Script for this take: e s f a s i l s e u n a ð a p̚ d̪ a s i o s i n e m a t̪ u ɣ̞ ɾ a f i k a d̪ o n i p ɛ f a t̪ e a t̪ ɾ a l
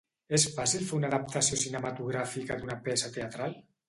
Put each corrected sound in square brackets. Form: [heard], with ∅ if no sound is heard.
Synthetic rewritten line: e s f a s i l [f] e u n a ð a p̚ [t̪] a s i o s i n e m a t̪ u ɣ̞ ɾ a f i k a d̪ [u] n [a] p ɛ [s] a t̪ e a t̪ ɾ a l